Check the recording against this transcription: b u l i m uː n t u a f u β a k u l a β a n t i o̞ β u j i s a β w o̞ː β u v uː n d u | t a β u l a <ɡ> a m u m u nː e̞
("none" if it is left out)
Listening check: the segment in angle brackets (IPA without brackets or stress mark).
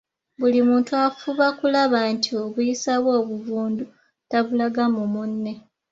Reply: ɡ